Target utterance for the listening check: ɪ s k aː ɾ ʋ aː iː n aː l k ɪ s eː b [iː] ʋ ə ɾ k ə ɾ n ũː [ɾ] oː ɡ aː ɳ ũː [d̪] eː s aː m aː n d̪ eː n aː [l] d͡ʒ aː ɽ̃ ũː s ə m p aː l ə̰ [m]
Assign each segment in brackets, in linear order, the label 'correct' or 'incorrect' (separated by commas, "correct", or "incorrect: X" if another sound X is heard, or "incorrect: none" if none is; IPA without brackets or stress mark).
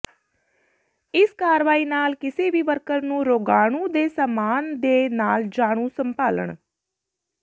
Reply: correct, correct, correct, correct, incorrect: ɳ